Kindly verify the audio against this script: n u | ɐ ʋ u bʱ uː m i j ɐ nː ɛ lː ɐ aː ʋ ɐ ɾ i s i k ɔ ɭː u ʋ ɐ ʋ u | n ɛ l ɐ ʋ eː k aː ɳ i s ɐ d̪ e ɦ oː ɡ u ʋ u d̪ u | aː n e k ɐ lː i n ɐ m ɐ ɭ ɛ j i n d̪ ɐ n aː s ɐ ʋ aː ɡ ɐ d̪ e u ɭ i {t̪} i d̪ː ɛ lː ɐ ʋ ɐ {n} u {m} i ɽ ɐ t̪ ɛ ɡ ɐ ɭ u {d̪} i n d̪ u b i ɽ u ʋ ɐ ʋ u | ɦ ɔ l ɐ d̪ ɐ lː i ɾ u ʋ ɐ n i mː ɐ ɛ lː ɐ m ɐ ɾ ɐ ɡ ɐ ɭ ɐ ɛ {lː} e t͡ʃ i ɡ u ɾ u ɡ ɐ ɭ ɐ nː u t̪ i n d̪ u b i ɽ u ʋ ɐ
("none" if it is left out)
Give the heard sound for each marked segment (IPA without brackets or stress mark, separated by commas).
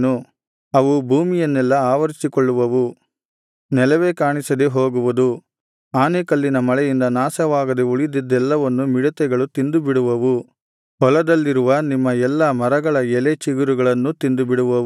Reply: d̪, nː, m, t̪, l